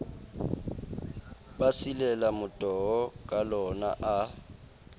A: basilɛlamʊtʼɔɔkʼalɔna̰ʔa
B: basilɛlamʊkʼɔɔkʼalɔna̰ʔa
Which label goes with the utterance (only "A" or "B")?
A